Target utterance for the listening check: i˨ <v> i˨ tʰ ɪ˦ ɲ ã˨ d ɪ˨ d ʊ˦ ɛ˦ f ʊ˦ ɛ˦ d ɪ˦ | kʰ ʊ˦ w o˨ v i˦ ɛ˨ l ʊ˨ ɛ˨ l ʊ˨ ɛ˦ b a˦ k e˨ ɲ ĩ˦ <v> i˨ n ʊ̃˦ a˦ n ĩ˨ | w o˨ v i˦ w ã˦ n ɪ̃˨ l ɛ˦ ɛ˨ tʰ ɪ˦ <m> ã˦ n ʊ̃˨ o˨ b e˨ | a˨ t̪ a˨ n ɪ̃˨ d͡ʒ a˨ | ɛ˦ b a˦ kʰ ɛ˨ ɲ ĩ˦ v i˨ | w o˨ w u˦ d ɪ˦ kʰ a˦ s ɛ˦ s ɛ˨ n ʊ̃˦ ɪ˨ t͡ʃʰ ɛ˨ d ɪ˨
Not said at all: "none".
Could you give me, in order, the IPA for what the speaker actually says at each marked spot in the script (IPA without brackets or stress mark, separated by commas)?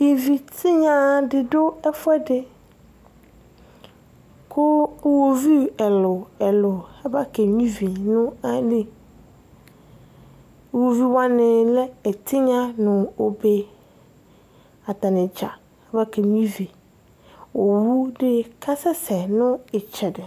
v, v, ɲ